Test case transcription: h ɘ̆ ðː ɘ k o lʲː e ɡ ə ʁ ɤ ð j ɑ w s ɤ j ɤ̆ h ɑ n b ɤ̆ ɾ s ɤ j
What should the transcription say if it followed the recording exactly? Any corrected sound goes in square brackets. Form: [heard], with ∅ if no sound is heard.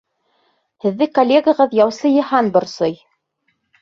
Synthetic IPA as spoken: h ɘ̆ ðː ɘ k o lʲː e ɡ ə ʁ ɤ ð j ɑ w s ɤ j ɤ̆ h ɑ n b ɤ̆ ɾ s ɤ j